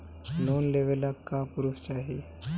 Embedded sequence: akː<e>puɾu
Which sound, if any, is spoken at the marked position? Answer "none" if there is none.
a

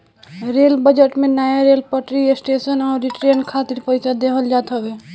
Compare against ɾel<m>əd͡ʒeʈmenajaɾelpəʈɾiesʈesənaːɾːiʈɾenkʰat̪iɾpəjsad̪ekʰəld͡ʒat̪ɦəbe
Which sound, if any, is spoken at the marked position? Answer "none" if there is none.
b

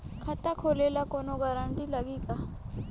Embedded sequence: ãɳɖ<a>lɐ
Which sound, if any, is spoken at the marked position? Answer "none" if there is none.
i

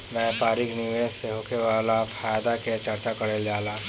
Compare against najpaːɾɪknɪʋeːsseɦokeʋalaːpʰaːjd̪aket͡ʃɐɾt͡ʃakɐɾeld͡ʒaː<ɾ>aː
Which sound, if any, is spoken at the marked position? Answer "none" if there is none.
l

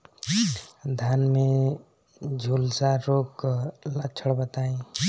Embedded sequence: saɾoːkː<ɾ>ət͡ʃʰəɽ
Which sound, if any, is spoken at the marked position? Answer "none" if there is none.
l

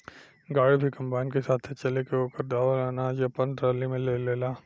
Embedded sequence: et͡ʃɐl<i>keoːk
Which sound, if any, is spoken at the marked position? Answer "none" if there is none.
e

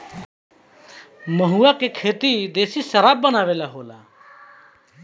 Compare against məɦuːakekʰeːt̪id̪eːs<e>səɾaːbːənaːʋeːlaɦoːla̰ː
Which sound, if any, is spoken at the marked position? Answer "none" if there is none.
i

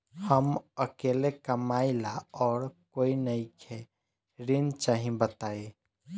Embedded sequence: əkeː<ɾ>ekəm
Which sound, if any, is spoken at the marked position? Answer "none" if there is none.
l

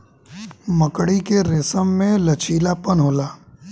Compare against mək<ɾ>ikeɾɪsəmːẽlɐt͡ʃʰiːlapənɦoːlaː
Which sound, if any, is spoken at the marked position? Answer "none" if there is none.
ɽ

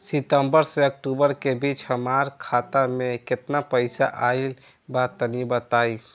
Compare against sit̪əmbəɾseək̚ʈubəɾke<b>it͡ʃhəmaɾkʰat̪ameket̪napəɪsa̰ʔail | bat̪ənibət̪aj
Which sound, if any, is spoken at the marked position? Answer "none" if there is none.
b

